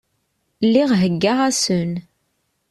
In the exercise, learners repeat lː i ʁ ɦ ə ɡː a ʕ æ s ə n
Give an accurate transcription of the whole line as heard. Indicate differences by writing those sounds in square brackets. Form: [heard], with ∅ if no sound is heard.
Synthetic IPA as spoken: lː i ʁ ɦ ə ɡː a [ʁ] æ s ə n